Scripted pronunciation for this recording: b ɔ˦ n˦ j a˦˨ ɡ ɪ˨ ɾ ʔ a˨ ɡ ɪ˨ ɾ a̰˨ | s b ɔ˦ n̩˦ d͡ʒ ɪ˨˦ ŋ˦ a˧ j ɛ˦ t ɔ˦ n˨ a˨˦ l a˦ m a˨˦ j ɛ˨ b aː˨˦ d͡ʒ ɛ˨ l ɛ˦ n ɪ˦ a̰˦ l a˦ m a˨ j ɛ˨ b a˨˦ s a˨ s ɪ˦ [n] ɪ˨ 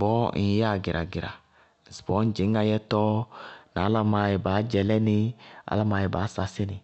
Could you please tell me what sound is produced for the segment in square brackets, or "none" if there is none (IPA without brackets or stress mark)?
n